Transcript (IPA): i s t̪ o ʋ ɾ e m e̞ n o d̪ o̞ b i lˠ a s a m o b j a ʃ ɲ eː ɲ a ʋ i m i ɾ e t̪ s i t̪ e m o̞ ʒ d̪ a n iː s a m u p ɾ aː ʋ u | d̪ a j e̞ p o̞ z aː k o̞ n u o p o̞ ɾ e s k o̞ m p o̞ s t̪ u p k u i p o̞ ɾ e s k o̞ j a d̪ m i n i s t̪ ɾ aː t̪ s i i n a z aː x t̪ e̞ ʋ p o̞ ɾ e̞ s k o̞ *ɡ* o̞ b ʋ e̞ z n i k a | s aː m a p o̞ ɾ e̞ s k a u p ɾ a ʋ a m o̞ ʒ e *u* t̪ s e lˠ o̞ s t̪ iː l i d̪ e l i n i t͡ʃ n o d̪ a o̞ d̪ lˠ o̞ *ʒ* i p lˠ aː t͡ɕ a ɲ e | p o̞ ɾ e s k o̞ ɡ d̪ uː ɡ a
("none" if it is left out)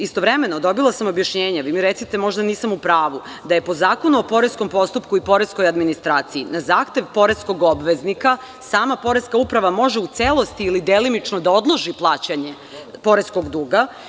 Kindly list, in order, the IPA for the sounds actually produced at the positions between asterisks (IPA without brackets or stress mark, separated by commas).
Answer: ɡ, u, ʒ